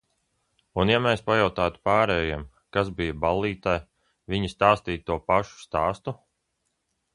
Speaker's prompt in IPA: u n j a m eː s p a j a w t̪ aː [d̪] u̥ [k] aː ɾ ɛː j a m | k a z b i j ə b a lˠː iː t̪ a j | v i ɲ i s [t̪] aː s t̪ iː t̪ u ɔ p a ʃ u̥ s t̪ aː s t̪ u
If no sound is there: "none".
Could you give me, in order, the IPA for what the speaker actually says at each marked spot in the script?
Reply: t̪, p, t̪

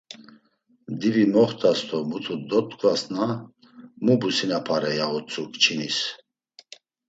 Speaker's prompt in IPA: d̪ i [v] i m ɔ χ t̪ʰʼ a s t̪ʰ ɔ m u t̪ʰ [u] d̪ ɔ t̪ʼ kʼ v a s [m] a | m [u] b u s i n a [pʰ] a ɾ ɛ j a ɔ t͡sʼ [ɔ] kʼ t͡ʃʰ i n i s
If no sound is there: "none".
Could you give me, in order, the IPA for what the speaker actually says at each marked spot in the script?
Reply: v, u, n, u, pʰ, u

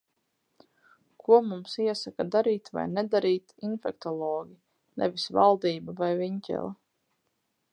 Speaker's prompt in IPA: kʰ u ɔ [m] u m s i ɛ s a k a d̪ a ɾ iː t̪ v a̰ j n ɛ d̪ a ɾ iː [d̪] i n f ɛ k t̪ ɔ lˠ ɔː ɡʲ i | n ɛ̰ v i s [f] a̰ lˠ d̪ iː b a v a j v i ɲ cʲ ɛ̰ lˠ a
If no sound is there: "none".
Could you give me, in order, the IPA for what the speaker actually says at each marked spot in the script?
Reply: m, t̪, v

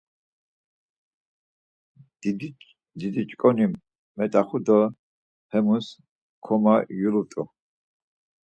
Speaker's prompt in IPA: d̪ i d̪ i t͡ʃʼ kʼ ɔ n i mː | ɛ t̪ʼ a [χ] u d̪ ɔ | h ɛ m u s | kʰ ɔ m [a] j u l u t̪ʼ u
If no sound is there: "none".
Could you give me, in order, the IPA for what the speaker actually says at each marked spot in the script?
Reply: χ, a

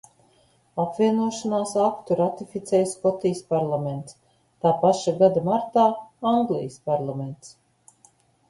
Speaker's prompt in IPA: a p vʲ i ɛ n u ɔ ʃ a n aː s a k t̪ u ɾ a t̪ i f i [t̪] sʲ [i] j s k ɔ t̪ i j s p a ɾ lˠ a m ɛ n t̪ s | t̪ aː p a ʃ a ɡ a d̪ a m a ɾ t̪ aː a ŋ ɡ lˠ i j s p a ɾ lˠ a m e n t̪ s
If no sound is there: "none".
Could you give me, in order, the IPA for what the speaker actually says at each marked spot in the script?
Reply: t̪, ɛ

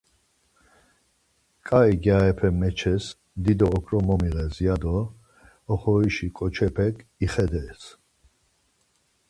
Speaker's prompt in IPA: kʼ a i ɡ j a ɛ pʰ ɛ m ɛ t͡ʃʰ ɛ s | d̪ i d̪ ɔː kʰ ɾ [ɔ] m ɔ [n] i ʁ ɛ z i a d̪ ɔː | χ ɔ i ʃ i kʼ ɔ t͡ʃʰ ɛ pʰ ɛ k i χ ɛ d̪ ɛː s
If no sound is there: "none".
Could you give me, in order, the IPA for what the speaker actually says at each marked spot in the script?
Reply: ɔ, m

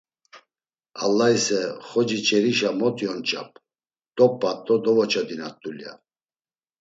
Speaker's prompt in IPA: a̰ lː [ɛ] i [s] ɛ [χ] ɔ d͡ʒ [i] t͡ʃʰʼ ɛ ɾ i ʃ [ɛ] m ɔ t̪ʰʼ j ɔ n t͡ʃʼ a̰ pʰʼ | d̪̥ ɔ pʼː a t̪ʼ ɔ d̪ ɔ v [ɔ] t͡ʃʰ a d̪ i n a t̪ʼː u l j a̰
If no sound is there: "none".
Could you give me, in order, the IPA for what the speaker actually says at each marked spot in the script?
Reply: a, s, χ, i, a, ɔ

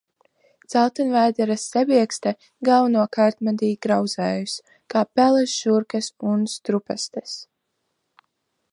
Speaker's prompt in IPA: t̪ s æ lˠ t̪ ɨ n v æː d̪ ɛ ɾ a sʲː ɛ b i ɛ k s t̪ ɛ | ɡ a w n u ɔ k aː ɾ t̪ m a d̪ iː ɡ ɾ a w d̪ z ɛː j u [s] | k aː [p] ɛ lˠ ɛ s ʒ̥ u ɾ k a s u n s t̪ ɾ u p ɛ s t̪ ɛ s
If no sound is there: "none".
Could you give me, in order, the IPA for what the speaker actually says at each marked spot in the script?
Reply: s, p

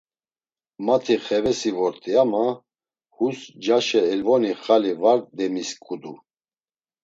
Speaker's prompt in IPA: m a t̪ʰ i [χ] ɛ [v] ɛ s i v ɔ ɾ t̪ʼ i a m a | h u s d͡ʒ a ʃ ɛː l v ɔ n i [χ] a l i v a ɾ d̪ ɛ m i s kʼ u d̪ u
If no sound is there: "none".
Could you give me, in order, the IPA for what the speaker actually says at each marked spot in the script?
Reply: χ, v, χ

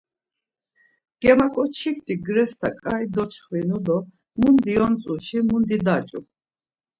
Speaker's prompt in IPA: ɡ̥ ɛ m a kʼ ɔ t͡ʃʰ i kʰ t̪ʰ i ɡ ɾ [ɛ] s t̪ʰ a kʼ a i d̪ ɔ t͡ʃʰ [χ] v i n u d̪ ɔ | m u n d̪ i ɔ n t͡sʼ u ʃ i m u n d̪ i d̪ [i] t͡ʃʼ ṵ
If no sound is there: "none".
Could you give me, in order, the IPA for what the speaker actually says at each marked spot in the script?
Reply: ɛ, χ, a

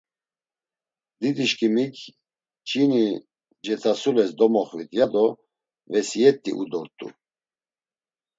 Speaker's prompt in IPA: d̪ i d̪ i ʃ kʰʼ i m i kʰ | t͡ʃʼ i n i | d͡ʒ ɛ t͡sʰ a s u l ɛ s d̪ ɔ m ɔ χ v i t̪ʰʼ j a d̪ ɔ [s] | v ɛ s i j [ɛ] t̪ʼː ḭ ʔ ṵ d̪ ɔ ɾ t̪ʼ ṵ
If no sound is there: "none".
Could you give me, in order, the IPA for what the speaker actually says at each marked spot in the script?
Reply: none, ɛ

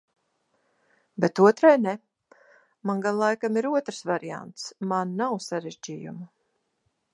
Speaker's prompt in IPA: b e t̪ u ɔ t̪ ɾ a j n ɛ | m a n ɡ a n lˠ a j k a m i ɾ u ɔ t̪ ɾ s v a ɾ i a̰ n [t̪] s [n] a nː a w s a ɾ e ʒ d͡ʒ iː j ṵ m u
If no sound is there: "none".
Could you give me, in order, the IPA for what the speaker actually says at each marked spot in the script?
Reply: t̪, m

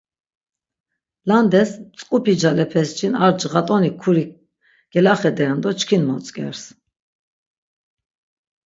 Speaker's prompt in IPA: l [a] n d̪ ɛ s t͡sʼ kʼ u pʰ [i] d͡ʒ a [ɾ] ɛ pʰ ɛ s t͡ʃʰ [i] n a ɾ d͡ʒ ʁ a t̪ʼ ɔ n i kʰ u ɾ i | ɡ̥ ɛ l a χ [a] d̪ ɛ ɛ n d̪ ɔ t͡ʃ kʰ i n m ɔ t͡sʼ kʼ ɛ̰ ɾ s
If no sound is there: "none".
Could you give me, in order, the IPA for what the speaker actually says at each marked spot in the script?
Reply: a, i, l, i, ɛ

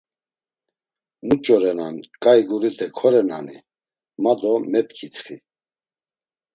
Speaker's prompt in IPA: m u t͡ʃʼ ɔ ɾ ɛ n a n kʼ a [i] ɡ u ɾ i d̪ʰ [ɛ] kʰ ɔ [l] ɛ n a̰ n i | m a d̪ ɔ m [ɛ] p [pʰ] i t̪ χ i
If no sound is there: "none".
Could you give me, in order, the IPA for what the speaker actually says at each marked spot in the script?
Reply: j, ɛ, ɾ, ɛ, kʰ

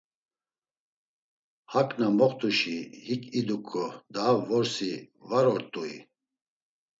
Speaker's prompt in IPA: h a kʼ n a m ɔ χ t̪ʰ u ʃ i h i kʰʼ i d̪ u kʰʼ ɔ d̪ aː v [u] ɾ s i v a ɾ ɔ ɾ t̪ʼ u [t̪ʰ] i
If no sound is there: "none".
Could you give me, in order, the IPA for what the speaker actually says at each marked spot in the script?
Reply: ɔ, none

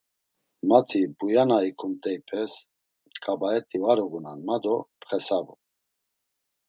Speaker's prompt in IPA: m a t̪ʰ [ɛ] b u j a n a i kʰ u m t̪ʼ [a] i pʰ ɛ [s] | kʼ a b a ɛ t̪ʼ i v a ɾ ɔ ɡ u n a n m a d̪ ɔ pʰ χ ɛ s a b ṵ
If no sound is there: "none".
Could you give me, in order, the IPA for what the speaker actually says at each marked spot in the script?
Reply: i, ɛ, s

